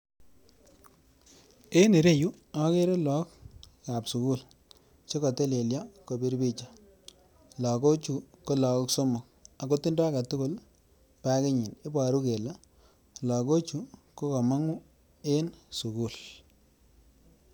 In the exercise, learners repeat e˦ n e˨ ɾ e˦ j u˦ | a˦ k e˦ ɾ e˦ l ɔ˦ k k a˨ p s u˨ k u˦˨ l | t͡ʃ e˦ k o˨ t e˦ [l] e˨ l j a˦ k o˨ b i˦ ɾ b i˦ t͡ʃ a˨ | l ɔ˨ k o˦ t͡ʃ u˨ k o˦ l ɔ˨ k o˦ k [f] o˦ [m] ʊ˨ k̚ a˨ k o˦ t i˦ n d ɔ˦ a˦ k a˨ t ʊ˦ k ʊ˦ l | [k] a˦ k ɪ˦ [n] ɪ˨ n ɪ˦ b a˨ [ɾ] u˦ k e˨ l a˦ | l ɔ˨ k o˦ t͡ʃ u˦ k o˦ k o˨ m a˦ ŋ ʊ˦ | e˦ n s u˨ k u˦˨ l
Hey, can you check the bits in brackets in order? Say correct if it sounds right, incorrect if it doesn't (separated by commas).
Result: correct, incorrect, correct, incorrect, incorrect, correct